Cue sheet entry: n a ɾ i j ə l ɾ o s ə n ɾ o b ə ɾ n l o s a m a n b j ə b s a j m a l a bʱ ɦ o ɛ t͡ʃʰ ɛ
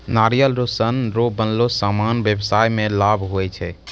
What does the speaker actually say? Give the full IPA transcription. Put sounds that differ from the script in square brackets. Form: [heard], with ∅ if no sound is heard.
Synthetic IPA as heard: n a ɾ i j ə l ɾ o s ə n ɾ o b ə [∅] n l o s a m a n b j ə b s a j m [e] l a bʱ ɦ o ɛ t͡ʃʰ ɛ